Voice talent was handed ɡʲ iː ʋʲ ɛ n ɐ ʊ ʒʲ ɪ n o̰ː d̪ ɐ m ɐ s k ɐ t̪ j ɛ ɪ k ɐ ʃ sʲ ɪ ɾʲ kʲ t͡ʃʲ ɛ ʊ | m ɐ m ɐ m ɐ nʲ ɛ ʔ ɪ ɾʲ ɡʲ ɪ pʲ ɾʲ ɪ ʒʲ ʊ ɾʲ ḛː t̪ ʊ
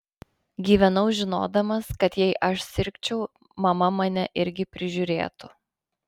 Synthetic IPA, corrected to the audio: ɡʲ iː ʋʲ ɛ n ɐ ʊ ʒʲ ɪ n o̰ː d̪ ɐ m ɐ s k ɐ t̪ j ɛ ɪ ʔ ɐ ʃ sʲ ɪ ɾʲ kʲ t͡ʃʲ ɛ ʊ | m ɐ m ɐ m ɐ nʲ ɛ ʔ ɪ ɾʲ ɡʲ ɪ pʲ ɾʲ ɪ ʒʲ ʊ ɾʲ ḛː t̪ ʊ